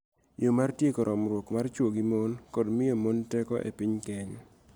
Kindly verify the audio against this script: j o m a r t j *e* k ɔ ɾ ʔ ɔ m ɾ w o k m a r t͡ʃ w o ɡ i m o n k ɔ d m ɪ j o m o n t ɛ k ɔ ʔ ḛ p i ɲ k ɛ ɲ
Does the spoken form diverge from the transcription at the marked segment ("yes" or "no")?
no